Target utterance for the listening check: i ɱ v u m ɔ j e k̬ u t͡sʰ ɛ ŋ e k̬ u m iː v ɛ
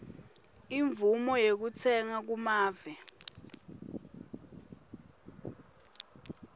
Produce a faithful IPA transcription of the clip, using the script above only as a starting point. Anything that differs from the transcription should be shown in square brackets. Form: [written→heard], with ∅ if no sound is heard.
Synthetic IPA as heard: i ɱ v u m ɔ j e k̬ u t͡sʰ ɛ ŋ [e→a] k̬ u m [iː→aː] v ɛ